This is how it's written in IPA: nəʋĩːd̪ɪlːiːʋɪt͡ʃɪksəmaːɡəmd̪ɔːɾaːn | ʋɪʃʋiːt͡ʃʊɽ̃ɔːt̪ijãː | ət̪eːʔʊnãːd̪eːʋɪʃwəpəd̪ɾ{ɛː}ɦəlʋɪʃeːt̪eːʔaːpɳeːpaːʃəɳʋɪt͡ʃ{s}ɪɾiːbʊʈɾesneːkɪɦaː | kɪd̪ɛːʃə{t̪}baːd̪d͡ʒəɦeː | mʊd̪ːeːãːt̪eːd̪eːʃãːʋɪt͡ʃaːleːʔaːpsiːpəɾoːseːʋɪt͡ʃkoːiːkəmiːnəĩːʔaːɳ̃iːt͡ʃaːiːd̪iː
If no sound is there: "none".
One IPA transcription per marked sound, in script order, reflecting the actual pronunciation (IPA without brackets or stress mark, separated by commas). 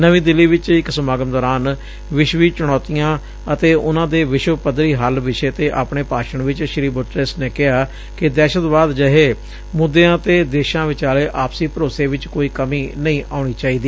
iː, ʃ, t̪